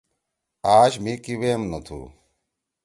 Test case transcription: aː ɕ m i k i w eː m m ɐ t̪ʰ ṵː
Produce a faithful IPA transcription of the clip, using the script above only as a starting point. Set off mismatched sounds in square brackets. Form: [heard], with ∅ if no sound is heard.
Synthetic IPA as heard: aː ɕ m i k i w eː m [n] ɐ t̪ʰ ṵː